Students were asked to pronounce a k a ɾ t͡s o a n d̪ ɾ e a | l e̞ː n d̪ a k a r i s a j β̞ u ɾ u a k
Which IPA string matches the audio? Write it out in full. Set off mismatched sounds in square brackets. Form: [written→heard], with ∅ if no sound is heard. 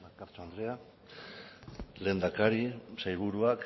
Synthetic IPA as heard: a k a ɾ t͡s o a n d̪ ɾ e a | l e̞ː n d̪ a k a [r→ɾ] i s a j β̞ u ɾ u a k